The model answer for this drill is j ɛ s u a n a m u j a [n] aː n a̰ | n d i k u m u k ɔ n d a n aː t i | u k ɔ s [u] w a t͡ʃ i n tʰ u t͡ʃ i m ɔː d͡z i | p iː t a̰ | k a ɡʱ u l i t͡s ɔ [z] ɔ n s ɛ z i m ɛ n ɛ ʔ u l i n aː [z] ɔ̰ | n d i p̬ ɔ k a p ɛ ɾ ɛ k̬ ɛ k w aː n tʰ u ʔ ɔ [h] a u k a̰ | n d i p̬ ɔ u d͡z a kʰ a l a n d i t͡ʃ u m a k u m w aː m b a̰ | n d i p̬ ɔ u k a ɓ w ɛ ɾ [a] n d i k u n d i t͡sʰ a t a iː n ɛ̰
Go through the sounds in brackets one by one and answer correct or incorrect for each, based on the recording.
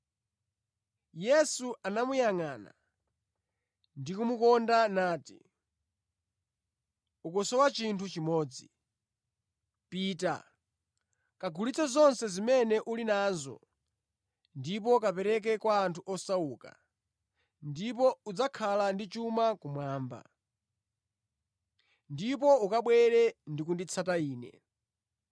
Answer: incorrect: ŋ, incorrect: ɔ, correct, correct, incorrect: s, incorrect: ɛ

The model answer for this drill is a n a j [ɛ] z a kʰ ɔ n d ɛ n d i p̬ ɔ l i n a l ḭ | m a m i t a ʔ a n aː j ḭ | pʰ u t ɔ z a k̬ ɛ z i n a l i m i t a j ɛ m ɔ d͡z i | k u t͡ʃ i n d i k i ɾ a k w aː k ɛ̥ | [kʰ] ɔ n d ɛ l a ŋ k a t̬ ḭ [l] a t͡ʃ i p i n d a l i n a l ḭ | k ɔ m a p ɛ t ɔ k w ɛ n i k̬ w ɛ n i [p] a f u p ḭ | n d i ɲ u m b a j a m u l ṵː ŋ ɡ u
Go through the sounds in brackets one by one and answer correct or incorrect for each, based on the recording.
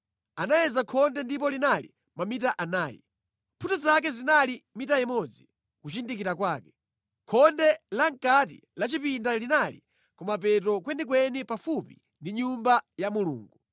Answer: correct, correct, correct, correct

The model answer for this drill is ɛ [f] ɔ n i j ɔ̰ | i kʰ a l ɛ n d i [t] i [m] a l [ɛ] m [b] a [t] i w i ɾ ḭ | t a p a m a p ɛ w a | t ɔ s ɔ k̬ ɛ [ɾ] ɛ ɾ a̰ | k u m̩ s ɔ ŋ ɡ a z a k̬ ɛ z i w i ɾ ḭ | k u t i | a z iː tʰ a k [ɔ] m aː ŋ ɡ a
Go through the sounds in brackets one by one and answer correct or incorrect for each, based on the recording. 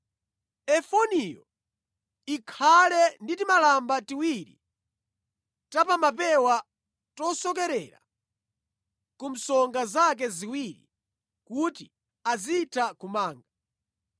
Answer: correct, correct, correct, incorrect: a, correct, correct, correct, incorrect: u

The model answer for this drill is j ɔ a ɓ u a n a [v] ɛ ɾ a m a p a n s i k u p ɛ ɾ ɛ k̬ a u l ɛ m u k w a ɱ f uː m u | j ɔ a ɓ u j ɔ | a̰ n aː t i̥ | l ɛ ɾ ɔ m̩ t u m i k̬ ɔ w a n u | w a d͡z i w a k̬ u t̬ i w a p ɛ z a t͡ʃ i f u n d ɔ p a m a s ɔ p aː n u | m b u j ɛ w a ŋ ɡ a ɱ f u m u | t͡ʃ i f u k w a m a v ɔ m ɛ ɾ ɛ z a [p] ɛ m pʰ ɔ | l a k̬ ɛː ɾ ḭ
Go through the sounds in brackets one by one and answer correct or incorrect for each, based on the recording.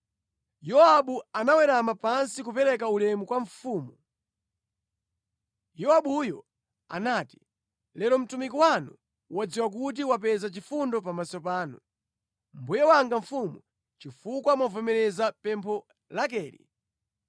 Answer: incorrect: w, correct

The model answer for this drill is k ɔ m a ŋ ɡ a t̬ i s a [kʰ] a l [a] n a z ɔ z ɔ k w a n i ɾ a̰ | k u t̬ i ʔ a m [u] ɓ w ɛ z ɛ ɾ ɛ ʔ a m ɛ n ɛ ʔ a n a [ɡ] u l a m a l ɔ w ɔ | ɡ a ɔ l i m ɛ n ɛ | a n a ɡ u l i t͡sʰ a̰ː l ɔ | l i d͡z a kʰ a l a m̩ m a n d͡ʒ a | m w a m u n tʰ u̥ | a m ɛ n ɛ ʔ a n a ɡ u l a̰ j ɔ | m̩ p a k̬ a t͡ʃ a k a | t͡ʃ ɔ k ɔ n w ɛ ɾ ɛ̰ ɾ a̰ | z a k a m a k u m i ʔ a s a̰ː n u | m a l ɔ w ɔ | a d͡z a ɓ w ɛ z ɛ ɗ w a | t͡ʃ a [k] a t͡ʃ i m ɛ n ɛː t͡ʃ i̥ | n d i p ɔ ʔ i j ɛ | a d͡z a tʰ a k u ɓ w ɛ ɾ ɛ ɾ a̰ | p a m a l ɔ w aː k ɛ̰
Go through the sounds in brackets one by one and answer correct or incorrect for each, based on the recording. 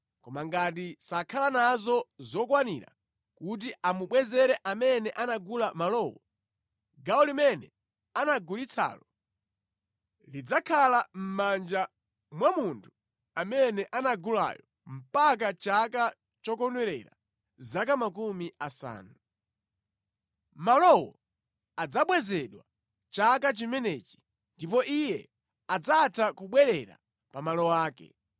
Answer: correct, correct, correct, correct, correct

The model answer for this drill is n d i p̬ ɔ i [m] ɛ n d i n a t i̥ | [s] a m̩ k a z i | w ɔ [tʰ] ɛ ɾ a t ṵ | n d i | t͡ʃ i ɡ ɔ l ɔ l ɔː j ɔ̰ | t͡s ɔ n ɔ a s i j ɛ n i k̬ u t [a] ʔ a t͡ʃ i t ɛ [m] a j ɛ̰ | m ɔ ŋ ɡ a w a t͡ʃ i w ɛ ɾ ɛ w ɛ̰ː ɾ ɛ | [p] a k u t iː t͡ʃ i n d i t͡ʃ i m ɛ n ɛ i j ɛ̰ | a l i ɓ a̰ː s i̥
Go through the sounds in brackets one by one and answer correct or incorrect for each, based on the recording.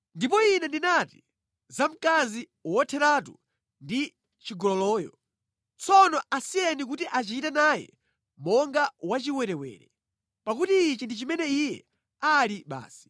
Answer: incorrect: n, incorrect: z, correct, incorrect: i, incorrect: n, correct

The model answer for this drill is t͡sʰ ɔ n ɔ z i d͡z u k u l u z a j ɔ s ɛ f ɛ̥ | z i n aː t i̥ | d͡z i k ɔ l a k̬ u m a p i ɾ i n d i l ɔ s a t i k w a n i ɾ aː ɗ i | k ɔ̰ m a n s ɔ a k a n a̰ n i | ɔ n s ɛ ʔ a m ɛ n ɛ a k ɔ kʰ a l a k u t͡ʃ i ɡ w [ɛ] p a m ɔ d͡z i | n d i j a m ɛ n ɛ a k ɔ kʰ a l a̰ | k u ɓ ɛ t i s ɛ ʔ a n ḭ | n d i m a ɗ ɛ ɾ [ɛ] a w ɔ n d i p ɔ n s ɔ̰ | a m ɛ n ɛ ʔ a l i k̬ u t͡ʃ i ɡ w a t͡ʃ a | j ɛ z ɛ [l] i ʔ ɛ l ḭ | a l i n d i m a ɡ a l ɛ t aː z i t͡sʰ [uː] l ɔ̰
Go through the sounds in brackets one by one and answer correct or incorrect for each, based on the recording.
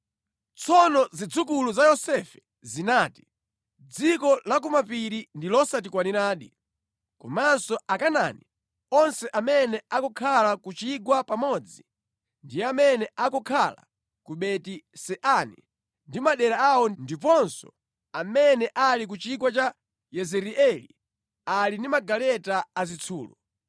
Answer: incorrect: a, incorrect: a, incorrect: ɾ, correct

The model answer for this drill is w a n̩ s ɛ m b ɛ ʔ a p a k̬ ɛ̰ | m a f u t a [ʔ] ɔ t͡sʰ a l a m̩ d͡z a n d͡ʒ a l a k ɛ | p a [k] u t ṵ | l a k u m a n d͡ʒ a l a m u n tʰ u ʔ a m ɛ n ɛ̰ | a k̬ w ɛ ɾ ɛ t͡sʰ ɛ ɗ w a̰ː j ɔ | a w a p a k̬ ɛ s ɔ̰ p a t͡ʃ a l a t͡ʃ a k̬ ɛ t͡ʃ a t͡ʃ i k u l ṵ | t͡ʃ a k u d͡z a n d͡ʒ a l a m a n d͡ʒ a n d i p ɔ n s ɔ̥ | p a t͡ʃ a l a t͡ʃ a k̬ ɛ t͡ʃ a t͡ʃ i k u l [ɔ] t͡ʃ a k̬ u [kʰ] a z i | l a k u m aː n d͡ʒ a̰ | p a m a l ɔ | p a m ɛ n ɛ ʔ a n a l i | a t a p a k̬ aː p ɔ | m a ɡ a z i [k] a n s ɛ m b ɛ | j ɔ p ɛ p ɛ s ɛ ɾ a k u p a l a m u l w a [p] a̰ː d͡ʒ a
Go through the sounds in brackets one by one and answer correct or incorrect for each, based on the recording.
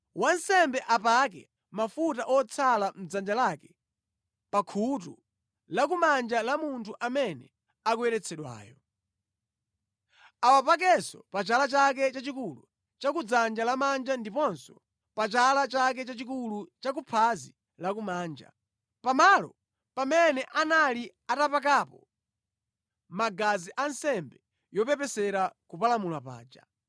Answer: correct, incorrect: kʰ, incorrect: u, incorrect: pʰ, incorrect: ʔ, correct

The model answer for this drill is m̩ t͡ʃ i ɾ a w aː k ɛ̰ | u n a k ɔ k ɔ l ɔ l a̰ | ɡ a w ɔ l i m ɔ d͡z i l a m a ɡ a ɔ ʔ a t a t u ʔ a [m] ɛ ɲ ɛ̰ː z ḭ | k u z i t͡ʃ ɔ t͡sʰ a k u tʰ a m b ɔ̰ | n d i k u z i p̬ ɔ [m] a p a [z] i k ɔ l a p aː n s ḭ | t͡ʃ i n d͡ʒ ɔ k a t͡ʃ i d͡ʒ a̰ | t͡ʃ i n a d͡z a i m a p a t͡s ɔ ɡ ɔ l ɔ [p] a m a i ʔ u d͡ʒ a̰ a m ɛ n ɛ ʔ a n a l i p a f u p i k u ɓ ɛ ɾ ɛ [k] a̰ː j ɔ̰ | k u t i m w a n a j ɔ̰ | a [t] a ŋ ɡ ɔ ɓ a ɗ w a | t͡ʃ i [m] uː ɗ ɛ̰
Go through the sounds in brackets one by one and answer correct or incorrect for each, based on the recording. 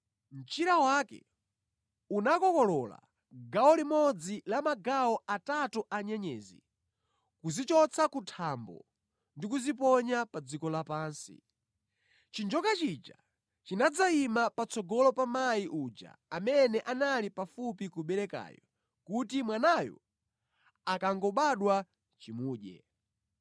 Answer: incorrect: ɲ, incorrect: ɲ, incorrect: d͡z, correct, correct, incorrect: k, correct

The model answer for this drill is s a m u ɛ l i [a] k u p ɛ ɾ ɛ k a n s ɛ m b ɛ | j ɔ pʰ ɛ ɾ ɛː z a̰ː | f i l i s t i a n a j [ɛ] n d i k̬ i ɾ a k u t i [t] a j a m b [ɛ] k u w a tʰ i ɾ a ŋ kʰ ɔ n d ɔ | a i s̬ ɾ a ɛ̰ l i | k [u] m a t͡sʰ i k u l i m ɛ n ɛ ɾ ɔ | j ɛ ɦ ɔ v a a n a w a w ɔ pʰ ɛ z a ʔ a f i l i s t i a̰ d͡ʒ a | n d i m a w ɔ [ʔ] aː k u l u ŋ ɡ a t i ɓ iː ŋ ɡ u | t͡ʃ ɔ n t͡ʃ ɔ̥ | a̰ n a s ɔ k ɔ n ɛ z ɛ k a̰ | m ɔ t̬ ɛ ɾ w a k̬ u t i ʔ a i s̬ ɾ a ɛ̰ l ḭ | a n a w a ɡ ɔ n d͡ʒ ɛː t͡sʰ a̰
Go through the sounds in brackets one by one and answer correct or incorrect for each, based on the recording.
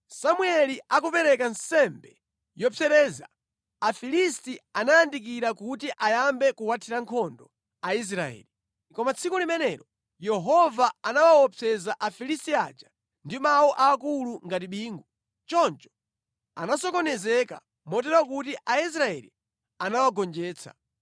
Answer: correct, incorrect: a, incorrect: ʔ, correct, incorrect: ɔ, correct

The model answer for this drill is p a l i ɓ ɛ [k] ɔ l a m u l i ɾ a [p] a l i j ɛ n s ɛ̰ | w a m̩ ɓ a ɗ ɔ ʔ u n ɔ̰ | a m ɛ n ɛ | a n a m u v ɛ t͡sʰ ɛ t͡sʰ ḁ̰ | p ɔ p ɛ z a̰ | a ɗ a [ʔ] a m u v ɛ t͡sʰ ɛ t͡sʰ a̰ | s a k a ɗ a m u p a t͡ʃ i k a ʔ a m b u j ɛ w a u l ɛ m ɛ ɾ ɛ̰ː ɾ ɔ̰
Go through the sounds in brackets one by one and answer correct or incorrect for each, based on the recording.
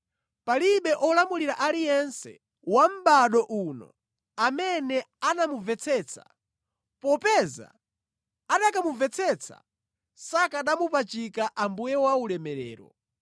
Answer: incorrect: ʔ, incorrect: ʔ, incorrect: k

